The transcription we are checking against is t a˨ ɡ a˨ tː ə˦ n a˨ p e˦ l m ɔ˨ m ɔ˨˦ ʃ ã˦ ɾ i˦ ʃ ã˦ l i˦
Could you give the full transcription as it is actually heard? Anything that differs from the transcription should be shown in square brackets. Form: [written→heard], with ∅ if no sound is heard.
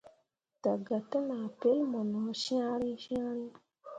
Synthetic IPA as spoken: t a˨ ɡ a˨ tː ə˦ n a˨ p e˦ l m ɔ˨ [m→n] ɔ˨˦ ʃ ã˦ ɾ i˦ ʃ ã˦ [l→ɾ] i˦